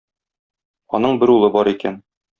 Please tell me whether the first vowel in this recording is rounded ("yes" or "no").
yes